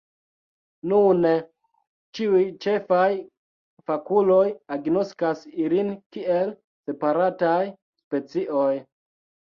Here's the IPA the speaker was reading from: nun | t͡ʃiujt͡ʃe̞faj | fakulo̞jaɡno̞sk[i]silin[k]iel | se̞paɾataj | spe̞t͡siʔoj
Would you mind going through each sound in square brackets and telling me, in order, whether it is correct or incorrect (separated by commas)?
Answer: incorrect, correct